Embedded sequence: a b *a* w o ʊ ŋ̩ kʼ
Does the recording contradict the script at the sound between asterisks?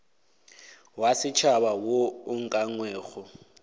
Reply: no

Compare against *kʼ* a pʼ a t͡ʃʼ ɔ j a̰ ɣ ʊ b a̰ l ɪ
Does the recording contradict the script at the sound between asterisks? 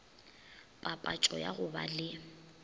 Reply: yes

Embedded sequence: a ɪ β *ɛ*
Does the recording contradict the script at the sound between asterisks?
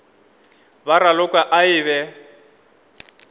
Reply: no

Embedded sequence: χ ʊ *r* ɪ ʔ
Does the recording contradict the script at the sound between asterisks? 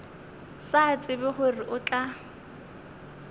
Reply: no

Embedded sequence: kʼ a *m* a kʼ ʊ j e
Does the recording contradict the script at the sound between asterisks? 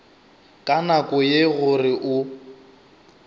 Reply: yes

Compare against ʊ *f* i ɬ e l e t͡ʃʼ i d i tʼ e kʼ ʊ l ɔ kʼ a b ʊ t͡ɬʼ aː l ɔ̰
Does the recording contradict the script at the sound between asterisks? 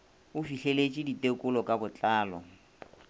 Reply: no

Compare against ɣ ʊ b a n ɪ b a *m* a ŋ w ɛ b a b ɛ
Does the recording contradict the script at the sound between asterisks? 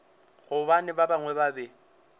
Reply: yes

